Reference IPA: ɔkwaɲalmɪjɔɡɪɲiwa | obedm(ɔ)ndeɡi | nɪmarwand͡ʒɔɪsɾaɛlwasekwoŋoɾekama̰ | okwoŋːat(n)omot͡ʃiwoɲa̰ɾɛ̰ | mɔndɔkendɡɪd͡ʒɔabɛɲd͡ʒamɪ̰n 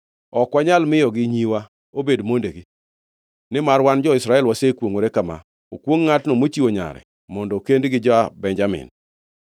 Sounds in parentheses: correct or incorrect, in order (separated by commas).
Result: incorrect, correct